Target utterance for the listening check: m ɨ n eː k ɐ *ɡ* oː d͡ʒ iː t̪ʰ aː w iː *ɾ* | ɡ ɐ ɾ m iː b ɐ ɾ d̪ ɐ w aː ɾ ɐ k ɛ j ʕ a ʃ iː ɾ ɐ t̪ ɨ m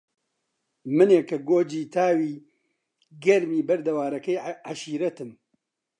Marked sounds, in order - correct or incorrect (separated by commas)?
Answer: correct, incorrect